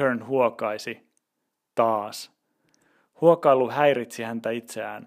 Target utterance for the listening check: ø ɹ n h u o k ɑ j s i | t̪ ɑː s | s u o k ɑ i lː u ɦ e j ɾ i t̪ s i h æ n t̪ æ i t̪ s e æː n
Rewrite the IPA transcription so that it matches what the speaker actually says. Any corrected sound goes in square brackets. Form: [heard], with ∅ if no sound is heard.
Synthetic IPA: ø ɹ n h u o k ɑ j s i | t̪ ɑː s | [h] u o k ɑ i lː u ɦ [æ] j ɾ i t̪ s i h æ n t̪ æ i t̪ s e æː n